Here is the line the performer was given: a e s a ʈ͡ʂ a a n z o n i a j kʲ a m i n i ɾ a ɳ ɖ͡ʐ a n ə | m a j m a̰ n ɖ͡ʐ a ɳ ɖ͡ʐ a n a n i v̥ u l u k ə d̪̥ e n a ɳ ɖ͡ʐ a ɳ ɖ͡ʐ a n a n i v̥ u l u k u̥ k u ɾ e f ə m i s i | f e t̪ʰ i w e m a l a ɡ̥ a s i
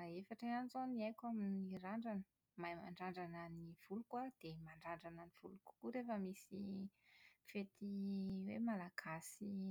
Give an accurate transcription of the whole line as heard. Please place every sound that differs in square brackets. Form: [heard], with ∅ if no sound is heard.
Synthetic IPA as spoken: a e [f] a ʈ͡ʂ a a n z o n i a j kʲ a m i n i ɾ a ɳ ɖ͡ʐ a n ə | m a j m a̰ [ɳ] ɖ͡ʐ a ɳ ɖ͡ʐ a n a n i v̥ u l u k [a] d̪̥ e [m] a ɳ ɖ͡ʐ a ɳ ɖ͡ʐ a n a n i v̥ u l u k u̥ k u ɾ e f ə m i s i | f e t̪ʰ i w e m a l a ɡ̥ a s i